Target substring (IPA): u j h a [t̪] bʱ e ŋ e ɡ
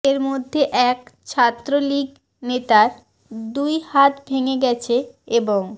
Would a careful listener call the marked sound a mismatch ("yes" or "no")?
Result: no